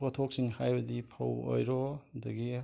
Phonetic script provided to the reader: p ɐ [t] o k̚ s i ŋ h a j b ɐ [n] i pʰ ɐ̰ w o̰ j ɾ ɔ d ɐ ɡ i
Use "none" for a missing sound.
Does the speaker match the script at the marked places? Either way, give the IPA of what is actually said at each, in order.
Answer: tʰ, d

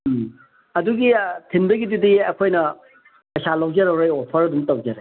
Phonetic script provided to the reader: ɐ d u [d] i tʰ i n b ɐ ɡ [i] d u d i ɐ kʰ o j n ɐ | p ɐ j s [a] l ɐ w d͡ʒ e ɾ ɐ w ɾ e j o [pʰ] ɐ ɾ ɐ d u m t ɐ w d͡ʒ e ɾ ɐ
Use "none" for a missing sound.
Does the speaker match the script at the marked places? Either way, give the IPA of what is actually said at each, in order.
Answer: ɡ, i, a, pʰ

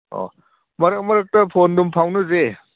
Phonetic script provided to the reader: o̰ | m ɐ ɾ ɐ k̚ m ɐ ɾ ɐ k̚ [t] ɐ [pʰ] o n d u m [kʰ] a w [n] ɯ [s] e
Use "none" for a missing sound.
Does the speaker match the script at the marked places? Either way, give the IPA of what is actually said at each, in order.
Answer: t, pʰ, pʰ, n, z

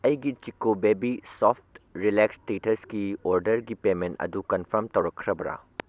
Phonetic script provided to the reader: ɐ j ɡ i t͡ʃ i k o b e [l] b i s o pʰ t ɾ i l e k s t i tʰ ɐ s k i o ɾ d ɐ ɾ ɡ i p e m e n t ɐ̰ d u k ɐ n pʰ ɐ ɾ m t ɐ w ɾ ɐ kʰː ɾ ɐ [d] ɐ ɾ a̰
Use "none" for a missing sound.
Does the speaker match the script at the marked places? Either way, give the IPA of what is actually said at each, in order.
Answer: none, b

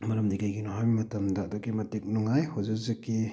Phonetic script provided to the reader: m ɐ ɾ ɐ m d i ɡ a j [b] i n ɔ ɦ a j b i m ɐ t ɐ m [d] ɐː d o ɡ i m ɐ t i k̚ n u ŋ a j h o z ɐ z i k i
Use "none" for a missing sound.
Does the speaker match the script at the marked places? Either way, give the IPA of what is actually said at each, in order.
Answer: ɡ, d

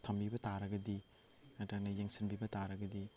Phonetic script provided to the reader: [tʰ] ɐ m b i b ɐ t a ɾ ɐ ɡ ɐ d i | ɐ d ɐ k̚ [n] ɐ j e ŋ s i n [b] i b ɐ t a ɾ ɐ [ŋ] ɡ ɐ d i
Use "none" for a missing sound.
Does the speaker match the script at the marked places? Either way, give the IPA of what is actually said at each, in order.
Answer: tʰ, n, b, none

